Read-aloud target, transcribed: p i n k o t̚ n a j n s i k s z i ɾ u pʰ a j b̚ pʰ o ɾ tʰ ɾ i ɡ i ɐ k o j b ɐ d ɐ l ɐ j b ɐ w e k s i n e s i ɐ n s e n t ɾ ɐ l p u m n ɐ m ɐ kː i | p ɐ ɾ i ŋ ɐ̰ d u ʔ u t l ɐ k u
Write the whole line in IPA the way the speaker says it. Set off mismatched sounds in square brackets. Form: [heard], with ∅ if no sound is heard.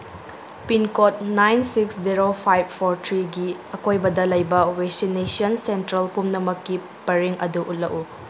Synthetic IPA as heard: p i n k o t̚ n a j n s i k s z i ɾ [o] pʰ a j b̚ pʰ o ɾ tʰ ɾ i ɡ i ɐ k o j b ɐ d ɐ l ɐ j b ɐ w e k s i n e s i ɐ n s e n t ɾ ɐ l p u m n ɐ m ɐ kː i | p ɐ ɾ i ŋ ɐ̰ d u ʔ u t l ɐ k u